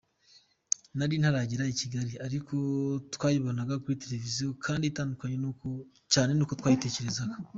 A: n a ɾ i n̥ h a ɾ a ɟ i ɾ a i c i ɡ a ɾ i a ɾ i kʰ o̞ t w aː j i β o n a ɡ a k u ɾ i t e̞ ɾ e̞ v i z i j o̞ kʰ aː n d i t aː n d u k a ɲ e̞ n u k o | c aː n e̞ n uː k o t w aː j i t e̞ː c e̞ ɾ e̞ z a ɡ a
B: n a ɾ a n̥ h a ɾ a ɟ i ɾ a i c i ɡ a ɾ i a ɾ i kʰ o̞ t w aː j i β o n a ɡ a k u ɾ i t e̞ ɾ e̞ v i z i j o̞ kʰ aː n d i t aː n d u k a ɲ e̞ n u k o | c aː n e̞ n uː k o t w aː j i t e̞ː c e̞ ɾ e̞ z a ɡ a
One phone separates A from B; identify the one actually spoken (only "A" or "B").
A